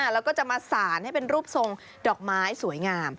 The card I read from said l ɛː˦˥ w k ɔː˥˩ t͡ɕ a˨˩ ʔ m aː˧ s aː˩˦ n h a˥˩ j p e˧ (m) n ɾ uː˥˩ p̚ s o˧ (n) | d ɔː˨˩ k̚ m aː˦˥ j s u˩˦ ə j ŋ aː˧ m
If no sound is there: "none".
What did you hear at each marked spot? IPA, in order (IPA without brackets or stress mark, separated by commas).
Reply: none, ŋ